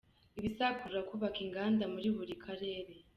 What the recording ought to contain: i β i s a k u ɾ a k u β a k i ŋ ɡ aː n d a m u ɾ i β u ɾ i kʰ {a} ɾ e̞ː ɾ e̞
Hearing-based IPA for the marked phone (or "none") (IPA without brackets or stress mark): a